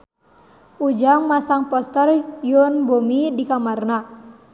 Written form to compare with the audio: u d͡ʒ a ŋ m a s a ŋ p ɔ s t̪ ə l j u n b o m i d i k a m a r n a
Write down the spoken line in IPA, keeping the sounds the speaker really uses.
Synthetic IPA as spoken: u d͡ʒ a ŋ m a s a ŋ p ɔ s t̪ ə r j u n b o m i d i k a m a r n a